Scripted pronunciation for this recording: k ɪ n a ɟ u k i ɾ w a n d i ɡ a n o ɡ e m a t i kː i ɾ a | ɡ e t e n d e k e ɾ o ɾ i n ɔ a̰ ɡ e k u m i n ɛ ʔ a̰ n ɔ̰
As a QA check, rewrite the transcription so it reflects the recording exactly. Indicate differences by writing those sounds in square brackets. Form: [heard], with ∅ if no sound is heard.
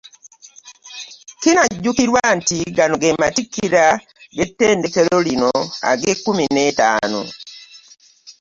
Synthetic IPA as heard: k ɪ n a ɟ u k i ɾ w a n [t] i ɡ a n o ɡ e m a t i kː i ɾ a | ɡ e t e n d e k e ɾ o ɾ i n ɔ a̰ ɡ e k u m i n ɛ [t] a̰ n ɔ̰